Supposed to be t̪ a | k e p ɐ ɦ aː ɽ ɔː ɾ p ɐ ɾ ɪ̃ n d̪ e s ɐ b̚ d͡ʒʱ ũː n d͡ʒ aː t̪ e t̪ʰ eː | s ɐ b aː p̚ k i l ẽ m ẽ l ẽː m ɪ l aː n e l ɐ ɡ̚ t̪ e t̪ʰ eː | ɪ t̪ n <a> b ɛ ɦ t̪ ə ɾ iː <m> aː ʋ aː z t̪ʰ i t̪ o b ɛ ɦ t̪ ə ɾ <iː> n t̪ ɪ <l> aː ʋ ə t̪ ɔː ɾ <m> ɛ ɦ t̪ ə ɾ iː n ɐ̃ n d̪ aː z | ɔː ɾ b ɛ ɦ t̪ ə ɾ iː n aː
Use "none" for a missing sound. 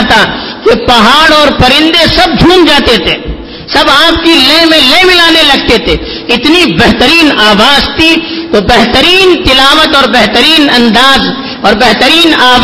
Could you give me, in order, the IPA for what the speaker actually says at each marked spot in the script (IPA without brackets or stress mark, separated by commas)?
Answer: i, n, iː, l, b